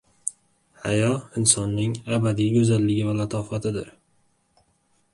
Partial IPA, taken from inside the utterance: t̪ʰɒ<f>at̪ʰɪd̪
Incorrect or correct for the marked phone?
correct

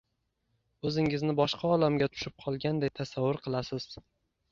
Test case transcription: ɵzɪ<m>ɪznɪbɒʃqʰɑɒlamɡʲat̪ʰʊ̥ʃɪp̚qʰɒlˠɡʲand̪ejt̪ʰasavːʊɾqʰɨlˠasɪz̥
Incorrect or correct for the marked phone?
incorrect: ŋ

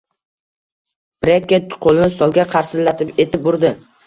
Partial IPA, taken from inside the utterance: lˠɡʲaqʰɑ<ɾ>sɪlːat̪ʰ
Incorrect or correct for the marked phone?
correct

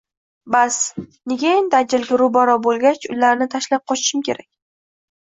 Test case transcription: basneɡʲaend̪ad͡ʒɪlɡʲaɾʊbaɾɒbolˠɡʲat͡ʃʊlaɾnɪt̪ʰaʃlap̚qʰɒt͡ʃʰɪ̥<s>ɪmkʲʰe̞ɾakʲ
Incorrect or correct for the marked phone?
incorrect: ʃ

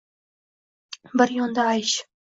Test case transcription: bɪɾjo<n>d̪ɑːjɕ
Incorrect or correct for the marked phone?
correct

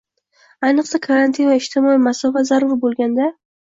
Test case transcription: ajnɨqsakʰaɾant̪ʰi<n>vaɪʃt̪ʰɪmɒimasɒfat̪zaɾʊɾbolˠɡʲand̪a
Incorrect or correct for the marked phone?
correct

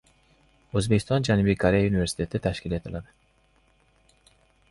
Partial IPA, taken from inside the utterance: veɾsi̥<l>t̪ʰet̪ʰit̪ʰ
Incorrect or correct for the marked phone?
incorrect: none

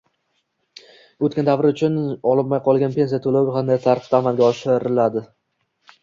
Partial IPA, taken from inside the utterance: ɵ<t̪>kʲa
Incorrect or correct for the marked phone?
correct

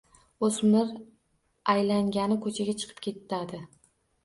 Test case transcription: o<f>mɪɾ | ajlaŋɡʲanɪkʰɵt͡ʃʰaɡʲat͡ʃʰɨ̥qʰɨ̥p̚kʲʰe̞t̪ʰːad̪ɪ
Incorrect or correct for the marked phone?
incorrect: s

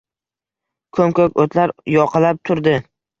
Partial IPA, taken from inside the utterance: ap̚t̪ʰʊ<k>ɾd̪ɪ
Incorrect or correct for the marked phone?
incorrect: none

